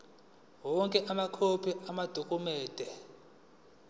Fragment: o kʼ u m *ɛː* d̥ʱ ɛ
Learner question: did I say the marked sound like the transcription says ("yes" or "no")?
yes